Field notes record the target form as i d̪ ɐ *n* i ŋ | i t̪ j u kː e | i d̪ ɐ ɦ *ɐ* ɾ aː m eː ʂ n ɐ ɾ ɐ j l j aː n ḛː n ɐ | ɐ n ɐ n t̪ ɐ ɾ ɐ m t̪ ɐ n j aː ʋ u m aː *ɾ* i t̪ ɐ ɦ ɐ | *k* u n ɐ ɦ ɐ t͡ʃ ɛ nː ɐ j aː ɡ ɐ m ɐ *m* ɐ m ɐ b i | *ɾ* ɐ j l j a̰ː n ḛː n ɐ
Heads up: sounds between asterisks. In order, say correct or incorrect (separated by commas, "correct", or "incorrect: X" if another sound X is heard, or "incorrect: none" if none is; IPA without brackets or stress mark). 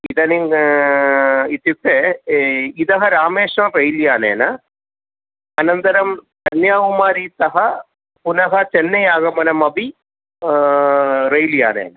correct, correct, correct, incorrect: p, incorrect: n, correct